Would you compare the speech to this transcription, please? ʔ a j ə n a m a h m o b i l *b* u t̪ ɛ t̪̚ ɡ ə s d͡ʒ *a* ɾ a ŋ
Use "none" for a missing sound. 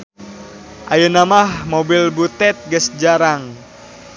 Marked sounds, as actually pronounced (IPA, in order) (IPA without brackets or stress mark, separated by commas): b, a